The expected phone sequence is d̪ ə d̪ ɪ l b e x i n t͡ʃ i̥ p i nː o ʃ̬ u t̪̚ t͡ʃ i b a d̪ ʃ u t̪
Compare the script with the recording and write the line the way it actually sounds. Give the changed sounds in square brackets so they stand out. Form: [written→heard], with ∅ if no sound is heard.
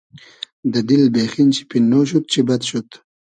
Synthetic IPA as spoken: d̪ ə d̪ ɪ l b e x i n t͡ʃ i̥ p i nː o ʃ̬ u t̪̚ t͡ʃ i b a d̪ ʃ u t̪